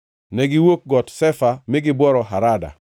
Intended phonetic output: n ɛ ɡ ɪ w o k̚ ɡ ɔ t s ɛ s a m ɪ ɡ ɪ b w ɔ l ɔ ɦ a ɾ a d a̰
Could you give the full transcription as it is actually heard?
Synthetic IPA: n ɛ ɡ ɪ w o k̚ ɡ ɔ t s ɛ f a m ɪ ɡ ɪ b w ɔ ɾ ɔ ɦ a ɾ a d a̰